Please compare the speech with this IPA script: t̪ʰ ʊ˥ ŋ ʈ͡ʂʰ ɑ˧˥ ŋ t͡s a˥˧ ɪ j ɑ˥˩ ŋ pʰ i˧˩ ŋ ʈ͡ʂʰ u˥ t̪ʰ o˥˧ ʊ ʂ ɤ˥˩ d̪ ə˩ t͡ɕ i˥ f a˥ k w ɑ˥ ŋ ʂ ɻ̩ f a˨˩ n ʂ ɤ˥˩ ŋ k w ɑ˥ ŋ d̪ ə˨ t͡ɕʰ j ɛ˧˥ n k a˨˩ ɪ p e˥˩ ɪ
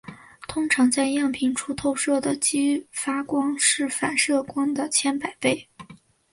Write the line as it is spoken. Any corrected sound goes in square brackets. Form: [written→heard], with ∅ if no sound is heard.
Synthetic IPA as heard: t̪ʰ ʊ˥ ŋ ʈ͡ʂʰ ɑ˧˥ ŋ t͡s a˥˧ ɪ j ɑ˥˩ ŋ pʰ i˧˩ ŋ ʈ͡ʂʰ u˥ t̪ʰ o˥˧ ʊ ʂ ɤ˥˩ d̪ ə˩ t͡ɕ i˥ f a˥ k w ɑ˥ ŋ ʂ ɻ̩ f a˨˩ n ʂ ɤ˥˩ [ŋ→∅] k w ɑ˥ ŋ d̪ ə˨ t͡ɕʰ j [ɛ˧˥→ɛ˥] n [k→p] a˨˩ ɪ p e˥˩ ɪ